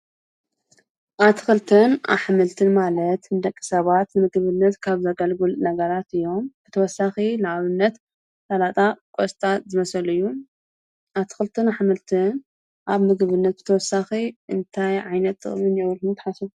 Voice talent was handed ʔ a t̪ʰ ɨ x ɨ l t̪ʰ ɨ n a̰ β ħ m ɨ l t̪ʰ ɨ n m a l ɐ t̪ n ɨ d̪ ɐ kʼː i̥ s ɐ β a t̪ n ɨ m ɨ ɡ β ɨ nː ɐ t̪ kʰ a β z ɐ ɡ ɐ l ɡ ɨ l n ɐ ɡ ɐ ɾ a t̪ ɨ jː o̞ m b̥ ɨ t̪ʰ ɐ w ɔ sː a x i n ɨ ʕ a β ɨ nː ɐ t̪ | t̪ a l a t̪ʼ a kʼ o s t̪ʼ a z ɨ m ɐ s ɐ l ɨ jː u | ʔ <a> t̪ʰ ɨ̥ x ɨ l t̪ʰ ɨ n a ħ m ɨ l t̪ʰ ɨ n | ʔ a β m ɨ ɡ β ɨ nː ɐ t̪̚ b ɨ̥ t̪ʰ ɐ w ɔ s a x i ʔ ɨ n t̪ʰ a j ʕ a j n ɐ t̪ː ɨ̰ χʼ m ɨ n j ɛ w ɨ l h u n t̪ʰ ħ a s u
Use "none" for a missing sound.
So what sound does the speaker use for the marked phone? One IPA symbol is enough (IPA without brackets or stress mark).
a